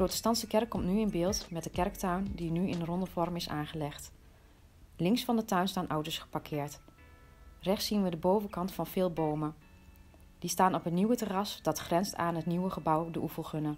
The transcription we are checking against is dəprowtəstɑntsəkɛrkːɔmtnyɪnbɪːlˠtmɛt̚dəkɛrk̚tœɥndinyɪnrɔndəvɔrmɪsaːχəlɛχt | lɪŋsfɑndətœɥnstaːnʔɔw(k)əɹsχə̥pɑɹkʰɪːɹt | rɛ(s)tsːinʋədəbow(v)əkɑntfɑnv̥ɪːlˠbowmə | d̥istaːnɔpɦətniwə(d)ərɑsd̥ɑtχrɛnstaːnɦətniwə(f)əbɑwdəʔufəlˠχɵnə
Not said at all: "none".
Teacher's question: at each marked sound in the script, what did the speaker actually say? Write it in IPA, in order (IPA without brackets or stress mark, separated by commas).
t, χ, v, t, χ